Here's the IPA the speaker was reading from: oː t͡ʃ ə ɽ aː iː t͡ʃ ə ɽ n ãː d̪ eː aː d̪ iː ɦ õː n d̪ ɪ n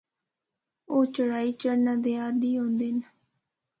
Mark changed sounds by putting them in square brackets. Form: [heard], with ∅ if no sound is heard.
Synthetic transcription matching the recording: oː t͡ʃ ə ɽ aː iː t͡ʃ ə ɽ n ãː d̪ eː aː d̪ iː ɦ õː n d̪ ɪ n